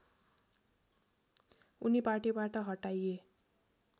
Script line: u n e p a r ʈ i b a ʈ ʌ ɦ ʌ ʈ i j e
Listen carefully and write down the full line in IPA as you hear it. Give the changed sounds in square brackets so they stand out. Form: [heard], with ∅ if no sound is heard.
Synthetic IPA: u n [i] p a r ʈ i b a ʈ ʌ ɦ ʌ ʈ [a] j e